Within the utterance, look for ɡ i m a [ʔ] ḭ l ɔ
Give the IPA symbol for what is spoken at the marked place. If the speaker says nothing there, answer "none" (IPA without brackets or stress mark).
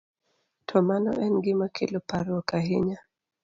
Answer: k